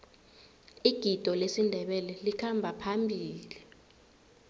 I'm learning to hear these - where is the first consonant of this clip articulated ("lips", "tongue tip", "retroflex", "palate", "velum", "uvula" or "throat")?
velum